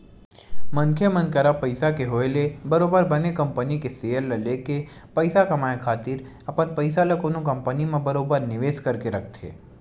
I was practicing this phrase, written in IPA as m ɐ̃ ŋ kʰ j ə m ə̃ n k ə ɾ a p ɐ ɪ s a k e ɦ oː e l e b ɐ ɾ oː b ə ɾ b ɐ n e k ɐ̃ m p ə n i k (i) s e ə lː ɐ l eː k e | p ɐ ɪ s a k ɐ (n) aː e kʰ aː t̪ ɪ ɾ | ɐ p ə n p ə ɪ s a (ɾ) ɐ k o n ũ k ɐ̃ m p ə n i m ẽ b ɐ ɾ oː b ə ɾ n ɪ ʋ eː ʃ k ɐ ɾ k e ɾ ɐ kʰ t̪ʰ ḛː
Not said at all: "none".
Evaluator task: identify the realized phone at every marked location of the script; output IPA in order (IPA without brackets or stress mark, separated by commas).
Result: e, m, l